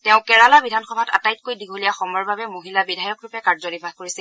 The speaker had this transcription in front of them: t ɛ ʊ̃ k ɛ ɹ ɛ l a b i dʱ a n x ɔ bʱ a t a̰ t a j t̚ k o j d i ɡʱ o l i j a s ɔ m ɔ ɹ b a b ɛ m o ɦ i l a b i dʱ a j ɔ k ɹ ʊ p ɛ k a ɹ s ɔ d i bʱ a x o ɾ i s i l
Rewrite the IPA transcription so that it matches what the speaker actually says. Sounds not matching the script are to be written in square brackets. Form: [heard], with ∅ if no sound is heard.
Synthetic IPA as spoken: t ɛ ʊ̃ k ɛ ɹ [a] l a b i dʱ a n x ɔ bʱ a t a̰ t a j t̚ k o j d i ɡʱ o l i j a [x] ɔ m ɔ ɹ b a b ɛ m o ɦ i l a b i dʱ a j ɔ k ɹ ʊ p ɛ k a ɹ [z] ɔ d i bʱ a [k] o [ɹ] i s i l